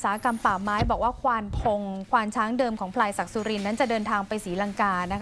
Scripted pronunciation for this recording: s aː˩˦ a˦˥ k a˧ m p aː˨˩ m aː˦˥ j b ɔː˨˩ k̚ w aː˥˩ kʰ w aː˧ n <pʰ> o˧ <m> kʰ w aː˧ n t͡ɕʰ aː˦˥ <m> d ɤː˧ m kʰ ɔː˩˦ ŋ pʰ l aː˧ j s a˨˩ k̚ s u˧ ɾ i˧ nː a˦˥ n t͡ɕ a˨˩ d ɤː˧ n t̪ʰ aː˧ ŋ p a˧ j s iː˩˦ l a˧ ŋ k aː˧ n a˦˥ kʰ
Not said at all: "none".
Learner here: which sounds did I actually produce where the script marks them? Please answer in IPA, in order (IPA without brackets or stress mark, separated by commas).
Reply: pʰ, ŋ, ŋ